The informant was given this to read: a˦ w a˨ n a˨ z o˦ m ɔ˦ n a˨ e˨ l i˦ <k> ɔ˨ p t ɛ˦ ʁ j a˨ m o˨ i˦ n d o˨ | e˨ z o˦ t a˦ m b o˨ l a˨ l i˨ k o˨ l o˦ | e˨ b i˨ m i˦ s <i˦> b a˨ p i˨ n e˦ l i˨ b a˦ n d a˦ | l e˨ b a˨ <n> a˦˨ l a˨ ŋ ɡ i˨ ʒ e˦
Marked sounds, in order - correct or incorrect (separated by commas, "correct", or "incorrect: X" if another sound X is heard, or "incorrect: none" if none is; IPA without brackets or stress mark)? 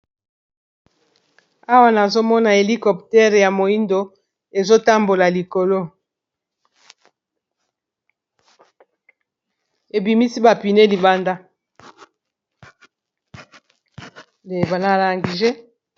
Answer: correct, correct, correct